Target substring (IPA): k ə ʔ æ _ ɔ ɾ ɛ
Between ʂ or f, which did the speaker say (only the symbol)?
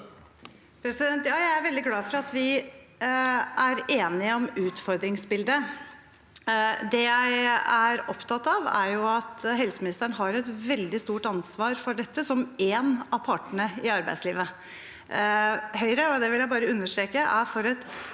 f